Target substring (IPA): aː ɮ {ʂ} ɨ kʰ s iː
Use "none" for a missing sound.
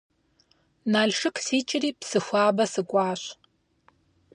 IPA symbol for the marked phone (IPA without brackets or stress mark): ʂ